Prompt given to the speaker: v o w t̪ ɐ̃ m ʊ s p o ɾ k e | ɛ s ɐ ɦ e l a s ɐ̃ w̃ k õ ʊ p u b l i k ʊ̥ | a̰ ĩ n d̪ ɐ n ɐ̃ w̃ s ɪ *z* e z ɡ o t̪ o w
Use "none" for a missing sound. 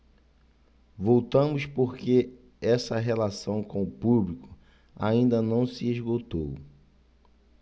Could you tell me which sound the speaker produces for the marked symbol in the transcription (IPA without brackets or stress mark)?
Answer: none